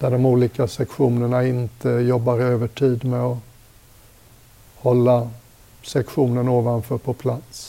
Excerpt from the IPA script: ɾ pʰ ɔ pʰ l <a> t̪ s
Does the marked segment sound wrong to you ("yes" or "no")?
no